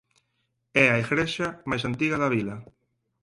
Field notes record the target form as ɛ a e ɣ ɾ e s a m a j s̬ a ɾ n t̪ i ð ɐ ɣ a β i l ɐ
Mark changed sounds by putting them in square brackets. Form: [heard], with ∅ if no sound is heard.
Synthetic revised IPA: ɛ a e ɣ ɾ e [ʃ] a m a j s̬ a [∅] n t̪ i [ɣ] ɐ [ð] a β i l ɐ